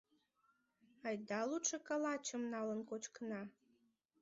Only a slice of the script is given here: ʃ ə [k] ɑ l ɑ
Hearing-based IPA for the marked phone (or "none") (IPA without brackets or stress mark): k